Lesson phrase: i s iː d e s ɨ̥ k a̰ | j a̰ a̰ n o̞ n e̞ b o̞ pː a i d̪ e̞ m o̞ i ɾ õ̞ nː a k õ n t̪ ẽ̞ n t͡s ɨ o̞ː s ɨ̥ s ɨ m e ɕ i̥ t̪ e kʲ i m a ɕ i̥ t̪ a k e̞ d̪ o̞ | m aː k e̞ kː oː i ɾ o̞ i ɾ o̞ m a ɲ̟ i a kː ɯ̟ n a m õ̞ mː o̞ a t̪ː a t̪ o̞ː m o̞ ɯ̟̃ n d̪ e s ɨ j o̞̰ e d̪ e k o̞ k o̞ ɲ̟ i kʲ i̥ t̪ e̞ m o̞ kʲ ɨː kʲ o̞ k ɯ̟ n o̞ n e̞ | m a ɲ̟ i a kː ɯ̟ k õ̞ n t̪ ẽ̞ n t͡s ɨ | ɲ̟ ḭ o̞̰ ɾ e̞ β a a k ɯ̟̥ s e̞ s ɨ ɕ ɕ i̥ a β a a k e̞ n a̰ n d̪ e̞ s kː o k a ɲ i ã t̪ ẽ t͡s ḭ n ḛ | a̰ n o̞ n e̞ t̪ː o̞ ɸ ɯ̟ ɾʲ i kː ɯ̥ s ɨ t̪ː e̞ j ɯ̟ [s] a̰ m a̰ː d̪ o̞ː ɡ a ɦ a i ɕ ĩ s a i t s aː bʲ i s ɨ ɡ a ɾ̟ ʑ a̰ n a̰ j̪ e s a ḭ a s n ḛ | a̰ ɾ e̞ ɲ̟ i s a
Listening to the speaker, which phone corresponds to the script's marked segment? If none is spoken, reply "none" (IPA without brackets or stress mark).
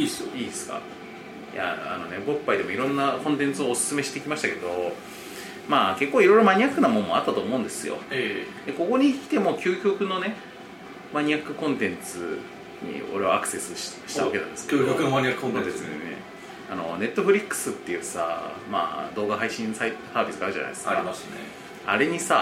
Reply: s